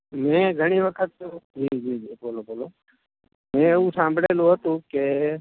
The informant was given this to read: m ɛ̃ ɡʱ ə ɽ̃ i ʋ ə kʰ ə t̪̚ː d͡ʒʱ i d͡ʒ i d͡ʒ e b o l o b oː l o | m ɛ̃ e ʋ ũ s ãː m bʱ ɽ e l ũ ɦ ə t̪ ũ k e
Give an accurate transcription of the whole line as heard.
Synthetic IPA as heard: m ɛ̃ ɡʱ ə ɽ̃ i ʋ ə kʰ ə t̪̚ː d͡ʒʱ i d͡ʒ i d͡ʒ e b o l o b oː l o | m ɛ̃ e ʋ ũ s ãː m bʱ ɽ e l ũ ɦ ə t̪ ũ k e